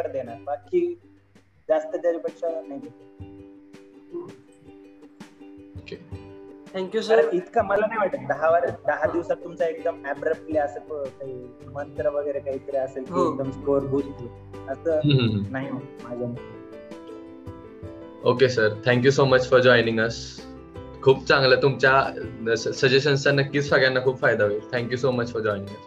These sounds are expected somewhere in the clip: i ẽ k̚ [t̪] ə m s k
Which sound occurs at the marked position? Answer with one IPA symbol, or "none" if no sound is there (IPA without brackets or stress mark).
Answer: d̪